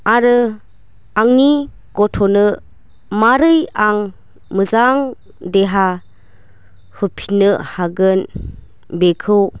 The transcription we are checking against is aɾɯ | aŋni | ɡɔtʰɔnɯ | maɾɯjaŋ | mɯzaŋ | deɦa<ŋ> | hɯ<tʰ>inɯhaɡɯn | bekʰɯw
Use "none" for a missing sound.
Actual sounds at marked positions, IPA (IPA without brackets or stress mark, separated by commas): none, pʰ